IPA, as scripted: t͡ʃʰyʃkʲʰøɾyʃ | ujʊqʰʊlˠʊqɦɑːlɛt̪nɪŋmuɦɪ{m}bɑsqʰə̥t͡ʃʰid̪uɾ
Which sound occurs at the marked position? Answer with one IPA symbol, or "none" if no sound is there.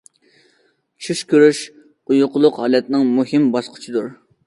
m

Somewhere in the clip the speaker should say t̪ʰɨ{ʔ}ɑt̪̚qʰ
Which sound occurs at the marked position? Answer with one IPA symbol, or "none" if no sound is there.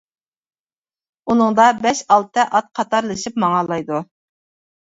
ʔ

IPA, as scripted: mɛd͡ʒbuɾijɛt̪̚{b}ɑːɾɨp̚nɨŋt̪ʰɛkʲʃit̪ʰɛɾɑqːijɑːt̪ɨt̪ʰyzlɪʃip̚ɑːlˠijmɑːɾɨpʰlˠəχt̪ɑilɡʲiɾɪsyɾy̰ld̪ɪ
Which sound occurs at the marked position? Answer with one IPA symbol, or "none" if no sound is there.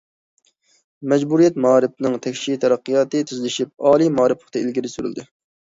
m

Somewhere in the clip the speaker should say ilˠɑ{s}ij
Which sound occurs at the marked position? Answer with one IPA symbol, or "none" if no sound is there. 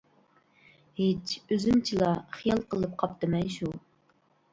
χ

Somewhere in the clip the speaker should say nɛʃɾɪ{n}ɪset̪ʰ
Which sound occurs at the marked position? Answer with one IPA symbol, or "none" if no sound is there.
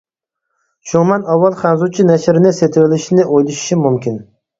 n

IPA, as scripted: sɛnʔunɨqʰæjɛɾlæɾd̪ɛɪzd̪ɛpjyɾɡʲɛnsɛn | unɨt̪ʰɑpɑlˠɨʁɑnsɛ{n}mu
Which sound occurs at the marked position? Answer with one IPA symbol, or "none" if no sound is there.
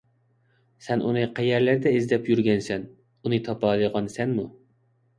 n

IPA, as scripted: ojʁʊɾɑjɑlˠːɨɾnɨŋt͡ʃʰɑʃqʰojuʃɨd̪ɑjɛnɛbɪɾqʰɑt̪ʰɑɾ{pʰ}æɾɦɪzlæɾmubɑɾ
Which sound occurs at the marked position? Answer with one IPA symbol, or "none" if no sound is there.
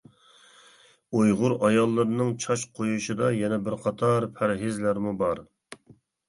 pʰ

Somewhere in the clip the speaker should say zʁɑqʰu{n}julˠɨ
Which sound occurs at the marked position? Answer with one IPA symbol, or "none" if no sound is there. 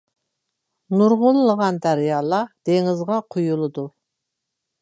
none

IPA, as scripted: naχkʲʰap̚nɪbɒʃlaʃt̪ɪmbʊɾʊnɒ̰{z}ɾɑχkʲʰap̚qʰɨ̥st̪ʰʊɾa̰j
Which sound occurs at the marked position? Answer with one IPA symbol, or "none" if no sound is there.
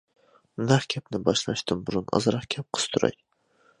z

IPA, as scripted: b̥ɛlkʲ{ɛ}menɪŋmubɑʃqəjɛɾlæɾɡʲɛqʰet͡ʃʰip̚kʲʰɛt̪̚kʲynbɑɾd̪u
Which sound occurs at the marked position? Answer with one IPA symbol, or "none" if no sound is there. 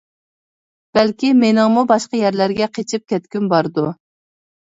i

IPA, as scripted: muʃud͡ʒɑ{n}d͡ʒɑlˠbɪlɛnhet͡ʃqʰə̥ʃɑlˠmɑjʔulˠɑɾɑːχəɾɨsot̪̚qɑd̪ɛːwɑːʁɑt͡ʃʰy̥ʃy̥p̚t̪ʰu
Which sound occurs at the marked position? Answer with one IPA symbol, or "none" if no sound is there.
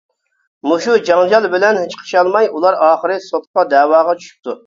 ŋ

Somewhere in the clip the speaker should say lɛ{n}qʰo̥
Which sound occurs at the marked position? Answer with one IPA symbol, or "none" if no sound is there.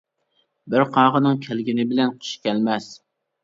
n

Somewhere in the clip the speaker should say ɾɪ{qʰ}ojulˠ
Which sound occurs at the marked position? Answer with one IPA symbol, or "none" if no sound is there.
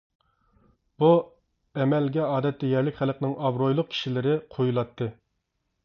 qʰ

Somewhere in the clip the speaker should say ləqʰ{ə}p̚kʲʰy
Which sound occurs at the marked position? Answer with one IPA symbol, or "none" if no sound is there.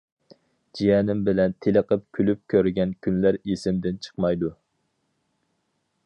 ə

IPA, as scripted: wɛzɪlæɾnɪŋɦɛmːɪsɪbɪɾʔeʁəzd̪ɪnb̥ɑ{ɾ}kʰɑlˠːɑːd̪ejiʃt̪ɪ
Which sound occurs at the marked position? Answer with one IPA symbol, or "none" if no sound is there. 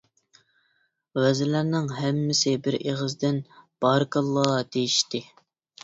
ɾ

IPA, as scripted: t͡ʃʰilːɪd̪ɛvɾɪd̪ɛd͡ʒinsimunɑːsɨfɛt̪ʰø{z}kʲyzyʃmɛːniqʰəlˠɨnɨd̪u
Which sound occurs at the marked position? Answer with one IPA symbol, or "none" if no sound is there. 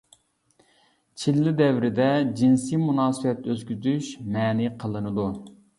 z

